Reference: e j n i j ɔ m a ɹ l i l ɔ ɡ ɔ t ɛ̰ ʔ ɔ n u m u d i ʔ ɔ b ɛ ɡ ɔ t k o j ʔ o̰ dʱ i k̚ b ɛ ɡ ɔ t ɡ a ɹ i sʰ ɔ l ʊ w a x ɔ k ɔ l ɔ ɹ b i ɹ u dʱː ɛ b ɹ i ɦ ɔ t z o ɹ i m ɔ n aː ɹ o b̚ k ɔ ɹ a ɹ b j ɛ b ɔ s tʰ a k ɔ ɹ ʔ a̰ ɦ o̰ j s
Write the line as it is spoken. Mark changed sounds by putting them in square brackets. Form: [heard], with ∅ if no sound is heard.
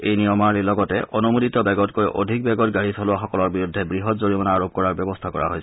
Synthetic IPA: e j n i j ɔ m a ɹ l i l ɔ ɡ ɔ t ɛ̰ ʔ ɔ n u m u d i [t] ɔ b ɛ ɡ ɔ t k o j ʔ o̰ dʱ i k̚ b ɛ ɡ ɔ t ɡ a ɹ i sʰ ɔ l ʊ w a x ɔ k ɔ l ɔ ɹ b i ɹ u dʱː ɛ b ɹ i ɦ ɔ t z o ɹ i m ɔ n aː ɹ o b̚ k ɔ ɹ a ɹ b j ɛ b ɔ s tʰ a k ɔ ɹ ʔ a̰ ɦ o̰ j s